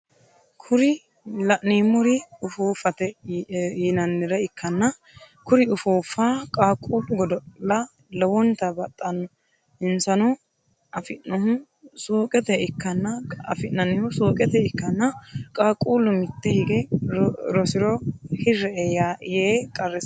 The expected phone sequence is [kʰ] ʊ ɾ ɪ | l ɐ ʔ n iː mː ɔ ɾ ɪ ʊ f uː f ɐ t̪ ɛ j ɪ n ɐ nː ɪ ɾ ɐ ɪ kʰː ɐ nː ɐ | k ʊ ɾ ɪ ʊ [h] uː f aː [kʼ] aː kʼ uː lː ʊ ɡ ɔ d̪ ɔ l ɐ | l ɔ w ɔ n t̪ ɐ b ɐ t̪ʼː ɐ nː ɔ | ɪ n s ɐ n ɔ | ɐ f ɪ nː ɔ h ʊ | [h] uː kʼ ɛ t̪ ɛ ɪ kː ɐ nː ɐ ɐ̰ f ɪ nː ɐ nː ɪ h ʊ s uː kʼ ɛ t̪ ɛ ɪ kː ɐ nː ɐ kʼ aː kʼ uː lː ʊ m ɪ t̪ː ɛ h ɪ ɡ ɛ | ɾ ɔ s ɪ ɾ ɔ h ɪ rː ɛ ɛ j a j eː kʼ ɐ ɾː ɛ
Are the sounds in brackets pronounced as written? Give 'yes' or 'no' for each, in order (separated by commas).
yes, no, yes, no